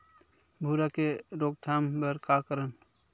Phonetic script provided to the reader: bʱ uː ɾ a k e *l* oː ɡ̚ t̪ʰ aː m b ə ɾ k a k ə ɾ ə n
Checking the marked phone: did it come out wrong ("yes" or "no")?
yes